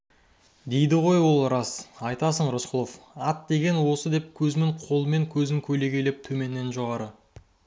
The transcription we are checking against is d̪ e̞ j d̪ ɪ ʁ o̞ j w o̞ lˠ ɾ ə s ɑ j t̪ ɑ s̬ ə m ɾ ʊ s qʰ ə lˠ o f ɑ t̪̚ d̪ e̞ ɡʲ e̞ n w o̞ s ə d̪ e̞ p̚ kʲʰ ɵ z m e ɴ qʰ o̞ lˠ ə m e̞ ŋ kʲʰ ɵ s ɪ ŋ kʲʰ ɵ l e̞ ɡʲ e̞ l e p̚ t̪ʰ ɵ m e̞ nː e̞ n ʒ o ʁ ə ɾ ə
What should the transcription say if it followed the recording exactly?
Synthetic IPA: d̪ e̞ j d̪ ɪ ʁ o̞ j w o̞ lˠ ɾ ɑ s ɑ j t̪ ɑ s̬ ə ɴ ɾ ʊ s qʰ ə lˠ o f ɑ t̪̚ d̪ e̞ ɡʲ e̞ n w o̞ s ə d̪ e̞ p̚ kʲʰ ɵ z m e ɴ qʰ o̞ lˠ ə m e̞ ŋ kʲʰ ɵ z ɪ ŋ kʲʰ ɵ l e̞ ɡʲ e̞ l e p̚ t̪ʰ ɵ m e̞ nː e̞ n ʒ o ʁ ɑ ɾ ə